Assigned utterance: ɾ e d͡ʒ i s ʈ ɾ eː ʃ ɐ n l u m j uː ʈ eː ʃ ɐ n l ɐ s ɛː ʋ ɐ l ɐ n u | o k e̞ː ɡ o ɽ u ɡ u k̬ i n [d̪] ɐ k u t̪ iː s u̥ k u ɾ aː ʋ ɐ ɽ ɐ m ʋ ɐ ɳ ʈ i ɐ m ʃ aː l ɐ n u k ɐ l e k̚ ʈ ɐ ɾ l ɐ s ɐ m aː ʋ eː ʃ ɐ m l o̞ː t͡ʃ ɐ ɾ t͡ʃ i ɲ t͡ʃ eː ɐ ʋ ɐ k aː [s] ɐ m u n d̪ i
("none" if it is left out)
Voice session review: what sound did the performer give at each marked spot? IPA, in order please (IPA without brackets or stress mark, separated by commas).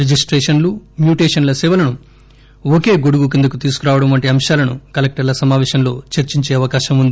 d̪, ʃ